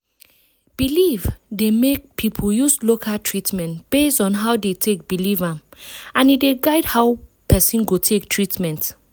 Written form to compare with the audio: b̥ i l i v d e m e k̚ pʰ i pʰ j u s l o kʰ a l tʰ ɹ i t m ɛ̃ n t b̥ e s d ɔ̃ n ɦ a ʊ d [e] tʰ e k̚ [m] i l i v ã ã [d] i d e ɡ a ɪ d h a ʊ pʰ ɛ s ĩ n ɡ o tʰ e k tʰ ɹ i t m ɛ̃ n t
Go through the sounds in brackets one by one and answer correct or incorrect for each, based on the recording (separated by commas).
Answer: correct, incorrect, incorrect